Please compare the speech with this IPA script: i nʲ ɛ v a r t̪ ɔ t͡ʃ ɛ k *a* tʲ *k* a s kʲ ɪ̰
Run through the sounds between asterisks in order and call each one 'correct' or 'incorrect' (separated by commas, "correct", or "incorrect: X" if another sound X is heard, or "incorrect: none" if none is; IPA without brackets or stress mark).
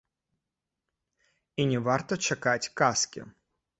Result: correct, correct